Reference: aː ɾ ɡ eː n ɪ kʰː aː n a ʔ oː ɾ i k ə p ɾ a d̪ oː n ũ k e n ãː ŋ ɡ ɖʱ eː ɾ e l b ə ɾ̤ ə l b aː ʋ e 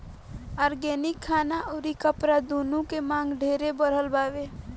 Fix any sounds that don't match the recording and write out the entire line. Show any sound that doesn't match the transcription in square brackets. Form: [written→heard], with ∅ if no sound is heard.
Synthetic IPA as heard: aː ɾ ɡ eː n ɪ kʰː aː n a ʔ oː ɾ i k ə p ɾ a d̪ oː n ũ k e [n→m] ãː ŋ ɡ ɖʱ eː ɾ e [l→∅] b ə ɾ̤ ə l b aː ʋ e